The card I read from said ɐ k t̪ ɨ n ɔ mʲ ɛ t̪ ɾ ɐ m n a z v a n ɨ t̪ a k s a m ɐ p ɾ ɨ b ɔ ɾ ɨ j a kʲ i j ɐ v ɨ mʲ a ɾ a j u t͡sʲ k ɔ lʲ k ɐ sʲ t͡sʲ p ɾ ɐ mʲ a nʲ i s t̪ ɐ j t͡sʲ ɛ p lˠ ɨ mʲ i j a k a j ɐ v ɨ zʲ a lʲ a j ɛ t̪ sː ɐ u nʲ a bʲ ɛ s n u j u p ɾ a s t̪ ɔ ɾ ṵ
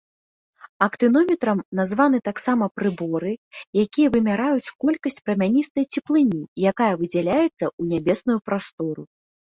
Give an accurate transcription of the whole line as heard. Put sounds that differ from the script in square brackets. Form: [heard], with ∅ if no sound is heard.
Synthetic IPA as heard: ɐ k t̪ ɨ n ɔ mʲ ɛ t̪ ɾ ɐ m n a z v a n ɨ t̪ a k s a m ɐ p ɾ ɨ b ɔ ɾ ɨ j a kʲ i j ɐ v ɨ mʲ a ɾ a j u t͡sʲ k ɔ lʲ k ɐ sʲ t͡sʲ p ɾ ɐ mʲ a nʲ i s t̪ ɐ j t͡sʲ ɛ p lˠ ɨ [nʲ] i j a k a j ɐ v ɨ [d͡zʲ] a lʲ a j ɛ t̪ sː ɐ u nʲ a bʲ ɛ s n u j u p ɾ a s t̪ ɔ ɾ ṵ